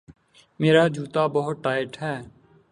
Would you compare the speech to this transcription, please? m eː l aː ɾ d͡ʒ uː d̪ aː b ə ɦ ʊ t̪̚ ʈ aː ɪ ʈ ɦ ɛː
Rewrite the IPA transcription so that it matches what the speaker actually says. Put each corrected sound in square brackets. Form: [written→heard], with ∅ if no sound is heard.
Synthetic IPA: m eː [l→ɾ] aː [ɾ→∅] d͡ʒ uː [d̪→t̪] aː b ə ɦ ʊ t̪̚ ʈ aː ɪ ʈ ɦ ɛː